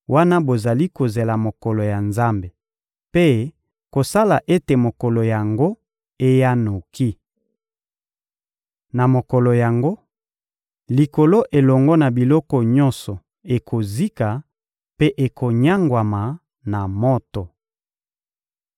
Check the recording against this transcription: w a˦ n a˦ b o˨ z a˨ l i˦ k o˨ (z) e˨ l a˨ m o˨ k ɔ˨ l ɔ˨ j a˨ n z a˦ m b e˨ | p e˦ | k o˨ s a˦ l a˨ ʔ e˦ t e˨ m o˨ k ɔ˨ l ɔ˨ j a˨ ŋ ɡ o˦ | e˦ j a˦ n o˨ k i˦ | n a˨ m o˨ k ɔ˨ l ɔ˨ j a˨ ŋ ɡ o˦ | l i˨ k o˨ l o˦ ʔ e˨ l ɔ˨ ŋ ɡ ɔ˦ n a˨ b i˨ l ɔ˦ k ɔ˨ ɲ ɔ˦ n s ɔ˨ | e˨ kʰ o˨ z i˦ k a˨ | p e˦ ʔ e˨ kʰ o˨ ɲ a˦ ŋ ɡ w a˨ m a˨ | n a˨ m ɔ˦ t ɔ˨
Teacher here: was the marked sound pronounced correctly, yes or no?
yes